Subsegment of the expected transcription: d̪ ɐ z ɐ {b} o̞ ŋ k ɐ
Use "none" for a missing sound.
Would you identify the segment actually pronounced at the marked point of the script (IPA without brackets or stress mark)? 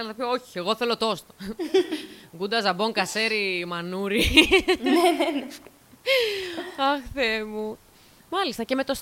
b